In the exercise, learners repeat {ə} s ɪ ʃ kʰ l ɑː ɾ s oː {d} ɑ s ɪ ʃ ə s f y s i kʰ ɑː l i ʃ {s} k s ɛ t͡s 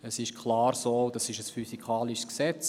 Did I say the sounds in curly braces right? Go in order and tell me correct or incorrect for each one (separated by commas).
correct, correct, correct